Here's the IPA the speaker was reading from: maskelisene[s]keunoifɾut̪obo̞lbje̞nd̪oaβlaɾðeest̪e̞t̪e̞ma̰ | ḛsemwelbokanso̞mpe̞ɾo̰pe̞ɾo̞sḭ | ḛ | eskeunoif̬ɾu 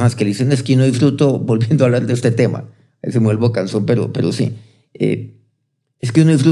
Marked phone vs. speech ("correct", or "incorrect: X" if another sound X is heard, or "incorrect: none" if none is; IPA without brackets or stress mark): correct